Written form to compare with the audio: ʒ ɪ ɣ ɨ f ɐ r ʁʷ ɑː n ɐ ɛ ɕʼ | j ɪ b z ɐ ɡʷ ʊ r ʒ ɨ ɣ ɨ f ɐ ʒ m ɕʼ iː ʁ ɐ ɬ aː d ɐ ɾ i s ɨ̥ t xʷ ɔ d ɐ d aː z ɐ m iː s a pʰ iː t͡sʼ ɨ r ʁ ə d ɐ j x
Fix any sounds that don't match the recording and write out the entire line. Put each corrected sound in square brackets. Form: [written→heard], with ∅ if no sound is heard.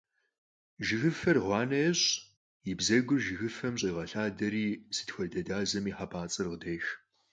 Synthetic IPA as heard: ʒ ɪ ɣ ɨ f ɐ r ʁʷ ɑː n ɐ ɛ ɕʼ | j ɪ b z ɐ ɡʷ ʊ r ʒ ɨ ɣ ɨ f ɐ [ʒ→∅] m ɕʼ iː ʁ ɐ ɬ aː d ɐ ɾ [i→iː] s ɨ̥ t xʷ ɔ d ɐ d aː z ɐ m iː [s→ħ] a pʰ [iː→aː] t͡sʼ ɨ r ʁ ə d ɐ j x